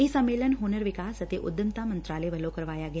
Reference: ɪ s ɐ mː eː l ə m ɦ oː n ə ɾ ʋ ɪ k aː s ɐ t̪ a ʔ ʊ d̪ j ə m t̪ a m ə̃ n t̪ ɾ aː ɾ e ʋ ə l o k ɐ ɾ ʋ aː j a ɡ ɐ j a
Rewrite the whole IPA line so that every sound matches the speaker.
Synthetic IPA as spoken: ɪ s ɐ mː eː l ə n ɦ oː n ə ɾ ʋ ɪ k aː s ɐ t̪ e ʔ ʊ d̪ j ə m t̪ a m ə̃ n t̪ ɾ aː l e ʋ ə l o k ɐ ɾ ʋ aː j a ɡ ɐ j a

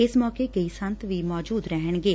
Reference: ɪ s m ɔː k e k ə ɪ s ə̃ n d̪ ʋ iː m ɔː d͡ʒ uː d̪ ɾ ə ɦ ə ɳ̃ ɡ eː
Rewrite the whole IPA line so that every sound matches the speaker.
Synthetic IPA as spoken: ɪ s m ɔː k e k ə i s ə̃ n t̪ ʋ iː m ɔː d͡ʒ uː d̪ ɾ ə ɦ ə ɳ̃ ɡ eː

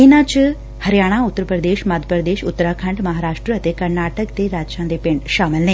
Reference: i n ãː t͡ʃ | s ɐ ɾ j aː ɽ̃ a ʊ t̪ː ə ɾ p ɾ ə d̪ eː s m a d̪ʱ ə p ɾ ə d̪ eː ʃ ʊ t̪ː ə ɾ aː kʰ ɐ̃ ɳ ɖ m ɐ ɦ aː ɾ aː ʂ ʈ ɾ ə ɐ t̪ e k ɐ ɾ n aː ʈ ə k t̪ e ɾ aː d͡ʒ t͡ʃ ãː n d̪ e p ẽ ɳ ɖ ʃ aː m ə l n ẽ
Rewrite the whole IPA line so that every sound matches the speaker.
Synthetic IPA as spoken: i n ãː t͡ʃ | h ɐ ɾ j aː ɽ̃ a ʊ t̪ː ə ɾ p ɾ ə d̪ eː ʃ m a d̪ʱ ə p ɾ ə d̪ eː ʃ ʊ t̪ː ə ɾ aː kʰ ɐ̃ ɳ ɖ m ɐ ɦ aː ɾ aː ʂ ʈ ɾ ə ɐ t̪ e k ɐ ɾ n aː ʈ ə k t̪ e ɾ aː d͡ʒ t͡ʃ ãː n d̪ e p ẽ ɳ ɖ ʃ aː m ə l n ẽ

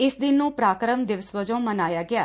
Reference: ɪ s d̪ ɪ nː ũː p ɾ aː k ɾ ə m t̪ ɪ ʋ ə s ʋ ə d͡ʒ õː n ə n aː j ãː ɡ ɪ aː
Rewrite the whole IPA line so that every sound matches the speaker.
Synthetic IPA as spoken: ɪ s d̪ ɪ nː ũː p ɾ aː k ɾ ə m d̪ ɪ ʋ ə s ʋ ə d͡ʒ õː m ə n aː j aː ɡ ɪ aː

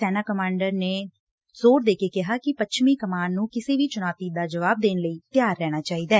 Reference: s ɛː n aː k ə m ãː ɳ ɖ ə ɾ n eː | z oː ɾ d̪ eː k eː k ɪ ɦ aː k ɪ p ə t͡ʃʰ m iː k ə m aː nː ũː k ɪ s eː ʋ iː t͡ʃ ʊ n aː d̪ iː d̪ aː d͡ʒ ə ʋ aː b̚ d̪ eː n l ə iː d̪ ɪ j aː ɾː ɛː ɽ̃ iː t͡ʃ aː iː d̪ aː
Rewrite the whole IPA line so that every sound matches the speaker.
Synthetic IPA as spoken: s ɛː n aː k ə m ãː ɳ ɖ ə ɾ n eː | z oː ɾ d̪ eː k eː k ɪ ɦ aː k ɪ p ə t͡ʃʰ m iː k ə m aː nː ũː k ɪ s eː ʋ iː t͡ʃ ʊ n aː t̪ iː d̪ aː d͡ʒ ə ʋ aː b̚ d̪ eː n l ə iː t̪ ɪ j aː ɾː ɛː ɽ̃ aː t͡ʃ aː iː d̪ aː

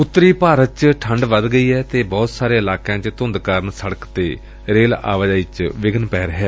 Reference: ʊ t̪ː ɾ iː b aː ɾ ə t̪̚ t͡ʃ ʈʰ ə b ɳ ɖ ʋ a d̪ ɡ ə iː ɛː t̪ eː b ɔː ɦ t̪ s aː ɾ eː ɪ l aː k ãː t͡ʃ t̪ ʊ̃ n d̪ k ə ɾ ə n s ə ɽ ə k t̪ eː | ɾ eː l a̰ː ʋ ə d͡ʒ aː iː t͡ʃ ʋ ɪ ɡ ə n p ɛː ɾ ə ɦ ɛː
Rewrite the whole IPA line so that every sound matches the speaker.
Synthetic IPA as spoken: ʊ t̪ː ɾ iː p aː ɾ ə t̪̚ t͡ʃ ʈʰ ə ɳ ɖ ʋ ə d̪ ɡ ə iː ɛː t̪ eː b ɔː t̪ s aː ɾ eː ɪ l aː k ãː t͡ʃ t̪ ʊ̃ n d̪ k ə ɾ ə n s ə ɽ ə k t̪ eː | ɾ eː l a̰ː ʋ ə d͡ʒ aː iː t͡ʃ ʋ ɪ ɡ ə n p ɛː ɾ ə ɦ ɛː

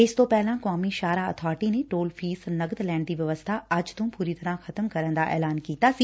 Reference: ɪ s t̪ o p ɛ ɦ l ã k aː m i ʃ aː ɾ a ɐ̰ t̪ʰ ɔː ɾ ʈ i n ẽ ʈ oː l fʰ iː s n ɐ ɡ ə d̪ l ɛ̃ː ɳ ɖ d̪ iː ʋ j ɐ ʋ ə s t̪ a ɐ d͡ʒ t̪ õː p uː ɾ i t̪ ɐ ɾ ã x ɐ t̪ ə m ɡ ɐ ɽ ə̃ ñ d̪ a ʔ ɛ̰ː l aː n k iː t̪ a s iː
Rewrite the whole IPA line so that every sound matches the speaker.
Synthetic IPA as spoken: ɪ s t̪ o p ɛ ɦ l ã k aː m i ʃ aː ɾ a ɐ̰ t̪ʰ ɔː ɾ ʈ i n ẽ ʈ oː l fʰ iː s n ɐ ɡ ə d̪ l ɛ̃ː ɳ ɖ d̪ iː ʋ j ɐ ʋ ə s t̪ʰ a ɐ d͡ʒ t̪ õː p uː ɾ i t̪ ɐ ɾ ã x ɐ t̪ ə m k ɐ ɾ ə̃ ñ d̪ a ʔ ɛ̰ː l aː n k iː t̪ a s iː

